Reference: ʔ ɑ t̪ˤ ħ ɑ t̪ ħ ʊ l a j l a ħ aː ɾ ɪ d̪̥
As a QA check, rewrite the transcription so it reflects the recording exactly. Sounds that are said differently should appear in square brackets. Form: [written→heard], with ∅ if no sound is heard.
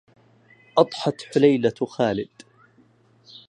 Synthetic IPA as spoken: ʔ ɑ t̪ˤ ħ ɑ t̪ ħ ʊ l a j l a [ħ→x] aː [ɾ→l] ɪ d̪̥